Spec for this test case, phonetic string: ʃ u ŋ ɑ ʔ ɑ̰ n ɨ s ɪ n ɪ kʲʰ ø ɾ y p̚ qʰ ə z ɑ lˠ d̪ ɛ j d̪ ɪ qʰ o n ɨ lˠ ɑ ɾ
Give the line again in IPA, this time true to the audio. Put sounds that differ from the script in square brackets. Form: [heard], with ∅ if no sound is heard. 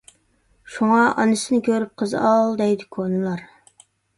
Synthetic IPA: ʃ u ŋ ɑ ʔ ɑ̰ n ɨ s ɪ n ɪ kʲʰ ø ɾ y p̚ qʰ ə z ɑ lˠ d̪ ɛ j d̪ ɪ [kʰ] o n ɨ lˠ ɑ ɾ